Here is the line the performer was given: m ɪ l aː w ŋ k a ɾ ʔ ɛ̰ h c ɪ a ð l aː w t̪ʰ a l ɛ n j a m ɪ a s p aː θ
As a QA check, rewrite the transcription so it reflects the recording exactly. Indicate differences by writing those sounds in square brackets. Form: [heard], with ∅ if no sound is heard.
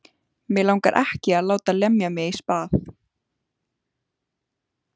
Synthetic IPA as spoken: m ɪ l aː w ŋ k a ɾ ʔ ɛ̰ h c ɪ a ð l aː w [t̪] a l ɛ [m] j a m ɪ [i] s p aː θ